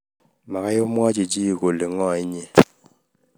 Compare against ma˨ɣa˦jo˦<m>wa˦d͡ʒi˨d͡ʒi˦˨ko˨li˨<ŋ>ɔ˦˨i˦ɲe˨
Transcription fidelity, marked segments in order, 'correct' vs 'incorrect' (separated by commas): correct, correct